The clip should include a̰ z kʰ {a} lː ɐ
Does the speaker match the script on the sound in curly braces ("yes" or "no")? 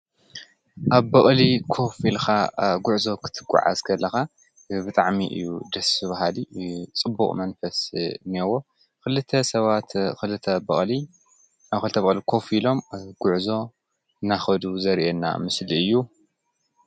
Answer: no